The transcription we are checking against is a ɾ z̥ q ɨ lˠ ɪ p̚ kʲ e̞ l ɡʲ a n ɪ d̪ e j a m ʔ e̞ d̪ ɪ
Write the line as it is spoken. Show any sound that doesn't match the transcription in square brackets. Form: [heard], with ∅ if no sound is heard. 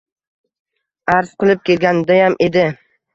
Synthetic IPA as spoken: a ɾ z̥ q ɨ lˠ ɪ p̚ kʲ e̞ l ɡʲ a n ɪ d̪ [a] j a m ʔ e̞ d̪ ɪ